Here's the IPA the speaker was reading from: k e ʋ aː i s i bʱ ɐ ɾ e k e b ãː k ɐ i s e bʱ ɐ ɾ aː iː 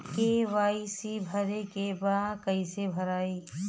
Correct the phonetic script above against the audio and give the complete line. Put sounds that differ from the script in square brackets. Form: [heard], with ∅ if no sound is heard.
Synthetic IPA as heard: k e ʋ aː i s i bʱ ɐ ɾ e k e b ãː k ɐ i s e bʱ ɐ ɾ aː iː

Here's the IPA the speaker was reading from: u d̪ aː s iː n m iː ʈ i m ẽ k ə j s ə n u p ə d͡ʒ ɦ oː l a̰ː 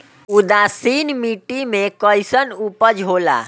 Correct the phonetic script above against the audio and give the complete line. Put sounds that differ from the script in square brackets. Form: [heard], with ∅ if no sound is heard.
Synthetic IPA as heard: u d̪ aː s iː n m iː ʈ i m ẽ k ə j s ə n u p ə d͡ʒ ɦ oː l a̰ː

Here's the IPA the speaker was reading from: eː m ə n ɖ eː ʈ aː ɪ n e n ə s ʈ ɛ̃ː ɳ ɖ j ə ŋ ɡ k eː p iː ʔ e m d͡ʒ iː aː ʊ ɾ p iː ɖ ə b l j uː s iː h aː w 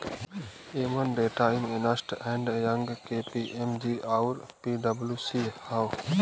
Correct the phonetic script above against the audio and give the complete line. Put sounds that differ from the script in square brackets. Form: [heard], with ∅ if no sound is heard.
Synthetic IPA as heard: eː m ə n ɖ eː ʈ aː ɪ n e n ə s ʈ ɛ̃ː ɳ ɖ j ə ŋ ɡ k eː p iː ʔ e m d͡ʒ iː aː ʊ ɾ p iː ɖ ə b l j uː s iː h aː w

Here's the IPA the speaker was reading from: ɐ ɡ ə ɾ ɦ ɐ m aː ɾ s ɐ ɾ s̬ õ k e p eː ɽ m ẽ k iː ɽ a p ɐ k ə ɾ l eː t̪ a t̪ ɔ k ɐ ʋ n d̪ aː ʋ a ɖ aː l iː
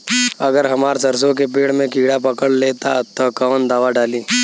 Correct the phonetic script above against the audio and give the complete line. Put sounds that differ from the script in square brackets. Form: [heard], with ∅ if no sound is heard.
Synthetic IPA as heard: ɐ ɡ ə ɾ ɦ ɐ m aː ɾ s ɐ ɾ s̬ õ k e p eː ɽ m ẽ k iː ɽ a p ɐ k ə [ɽ] l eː t̪ a t̪ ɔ k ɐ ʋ n d̪ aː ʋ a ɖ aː l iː

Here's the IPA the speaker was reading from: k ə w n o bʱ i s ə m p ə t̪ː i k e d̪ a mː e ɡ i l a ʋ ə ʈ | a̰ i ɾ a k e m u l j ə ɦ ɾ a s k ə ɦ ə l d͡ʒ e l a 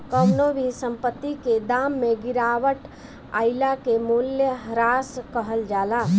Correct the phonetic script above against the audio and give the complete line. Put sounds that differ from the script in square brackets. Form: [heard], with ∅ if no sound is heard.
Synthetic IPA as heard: k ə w n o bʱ i s ə m p ə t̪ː i k e d̪ a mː e ɡ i [ɾ] a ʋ ə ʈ | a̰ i [l] a k e m u l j ə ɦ ɾ a s k ə ɦ ə l d͡ʒ [a] l a

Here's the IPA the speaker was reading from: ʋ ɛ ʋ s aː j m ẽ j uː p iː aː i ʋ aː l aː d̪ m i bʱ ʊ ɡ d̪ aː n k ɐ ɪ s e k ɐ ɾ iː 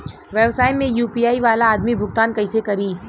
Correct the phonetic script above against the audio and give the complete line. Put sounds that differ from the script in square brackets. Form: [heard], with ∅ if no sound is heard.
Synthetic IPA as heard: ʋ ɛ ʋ s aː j m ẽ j uː p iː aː i ʋ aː l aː d̪ m i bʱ ʊ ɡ [t̪] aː n k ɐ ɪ s e k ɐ ɾ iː

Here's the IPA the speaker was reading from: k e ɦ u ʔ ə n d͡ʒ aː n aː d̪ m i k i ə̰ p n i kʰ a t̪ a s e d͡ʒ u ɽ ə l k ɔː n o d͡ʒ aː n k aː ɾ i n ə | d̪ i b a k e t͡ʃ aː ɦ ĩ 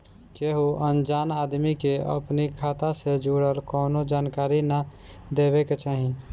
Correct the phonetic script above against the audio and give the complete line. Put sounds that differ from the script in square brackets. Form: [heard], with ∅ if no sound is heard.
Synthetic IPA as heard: k e ɦ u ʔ ə n d͡ʒ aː n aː d̪ m i k [e] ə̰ p n i kʰ a t̪ a s e d͡ʒ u ɽ ə l k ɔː n o d͡ʒ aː n k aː ɾ i n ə | d̪ [e] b [e] k e t͡ʃ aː ɦ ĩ

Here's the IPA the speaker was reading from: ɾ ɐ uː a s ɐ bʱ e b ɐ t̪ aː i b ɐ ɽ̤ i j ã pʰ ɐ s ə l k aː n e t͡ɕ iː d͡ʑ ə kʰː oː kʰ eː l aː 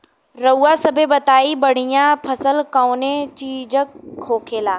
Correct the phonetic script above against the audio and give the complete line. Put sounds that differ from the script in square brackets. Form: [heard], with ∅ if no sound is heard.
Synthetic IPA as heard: ɾ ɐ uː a s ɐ bʱ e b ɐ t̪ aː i b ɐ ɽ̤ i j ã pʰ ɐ s ə l k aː n e t͡ɕ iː d͡ʑ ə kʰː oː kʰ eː l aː

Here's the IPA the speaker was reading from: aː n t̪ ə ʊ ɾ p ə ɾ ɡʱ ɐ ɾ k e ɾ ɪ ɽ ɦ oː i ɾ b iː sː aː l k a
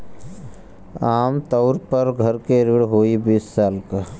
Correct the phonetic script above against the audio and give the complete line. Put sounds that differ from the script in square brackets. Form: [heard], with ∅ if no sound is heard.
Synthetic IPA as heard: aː [m] t̪ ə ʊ ɾ p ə ɾ ɡʱ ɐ ɾ k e ɾ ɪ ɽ ɦ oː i [∅] b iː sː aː l k a

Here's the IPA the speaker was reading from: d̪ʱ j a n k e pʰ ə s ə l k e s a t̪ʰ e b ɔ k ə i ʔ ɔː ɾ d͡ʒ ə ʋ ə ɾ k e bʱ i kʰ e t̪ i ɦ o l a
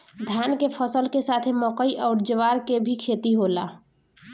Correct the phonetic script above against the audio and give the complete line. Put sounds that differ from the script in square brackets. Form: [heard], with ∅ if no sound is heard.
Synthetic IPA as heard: d̪ʱ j a n k e pʰ ə s ə l k e s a t̪ʰ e [m] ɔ k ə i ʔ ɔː ɾ d͡ʒ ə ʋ [a] ɾ k e bʱ i kʰ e t̪ i ɦ o l a

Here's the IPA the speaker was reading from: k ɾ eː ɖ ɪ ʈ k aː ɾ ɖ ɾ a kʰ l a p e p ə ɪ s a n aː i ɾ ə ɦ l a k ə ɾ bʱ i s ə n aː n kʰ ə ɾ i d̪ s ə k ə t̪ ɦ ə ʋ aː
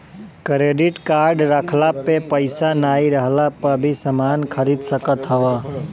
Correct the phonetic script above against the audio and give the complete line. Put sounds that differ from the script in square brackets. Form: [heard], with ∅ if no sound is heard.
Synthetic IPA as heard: k ɾ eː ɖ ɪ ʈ k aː ɾ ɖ ɾ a kʰ l a p e p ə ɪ s a n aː i ɾ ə ɦ l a [p] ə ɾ bʱ i s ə [m] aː n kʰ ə ɾ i d̪ s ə k ə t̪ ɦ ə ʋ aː

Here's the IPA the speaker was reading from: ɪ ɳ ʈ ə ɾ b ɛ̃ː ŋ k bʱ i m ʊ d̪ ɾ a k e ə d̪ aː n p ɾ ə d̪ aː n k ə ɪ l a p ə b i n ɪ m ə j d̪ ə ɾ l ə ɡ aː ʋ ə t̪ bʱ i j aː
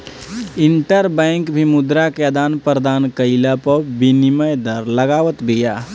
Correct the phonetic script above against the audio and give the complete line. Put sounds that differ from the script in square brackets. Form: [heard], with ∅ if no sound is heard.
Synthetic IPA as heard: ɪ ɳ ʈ ə ɾ b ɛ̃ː ŋ k bʱ i m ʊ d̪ ɾ a k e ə d̪ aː n p ɾ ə d̪ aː n k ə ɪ l a p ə b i n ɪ m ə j d̪ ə ɾ l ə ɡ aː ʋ ə t̪ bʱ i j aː

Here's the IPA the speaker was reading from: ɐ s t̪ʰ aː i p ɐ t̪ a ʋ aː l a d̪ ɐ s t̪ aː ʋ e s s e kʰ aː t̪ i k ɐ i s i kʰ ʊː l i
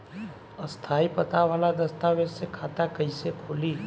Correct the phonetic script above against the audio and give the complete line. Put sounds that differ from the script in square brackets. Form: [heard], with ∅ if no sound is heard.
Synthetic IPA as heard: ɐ s t̪ʰ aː i p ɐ t̪ a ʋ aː l a d̪ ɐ s t̪ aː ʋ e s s e kʰ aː t̪ [a] k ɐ i s [e] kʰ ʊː l i

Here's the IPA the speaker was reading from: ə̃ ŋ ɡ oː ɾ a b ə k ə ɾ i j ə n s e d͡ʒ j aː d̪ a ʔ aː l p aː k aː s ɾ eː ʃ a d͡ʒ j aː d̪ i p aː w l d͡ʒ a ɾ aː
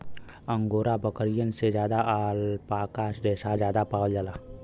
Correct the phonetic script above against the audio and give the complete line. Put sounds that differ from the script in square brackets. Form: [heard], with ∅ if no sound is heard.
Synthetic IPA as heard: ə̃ ŋ ɡ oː ɾ a b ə k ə ɾ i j ə n s e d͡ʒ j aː d̪ a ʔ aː l p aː k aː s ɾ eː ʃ a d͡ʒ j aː d̪ [a] p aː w l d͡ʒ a [l] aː

